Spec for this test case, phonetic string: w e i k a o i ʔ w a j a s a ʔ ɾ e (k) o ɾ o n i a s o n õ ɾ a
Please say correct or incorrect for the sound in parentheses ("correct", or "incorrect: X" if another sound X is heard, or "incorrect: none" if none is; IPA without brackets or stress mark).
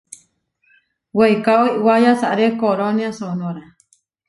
correct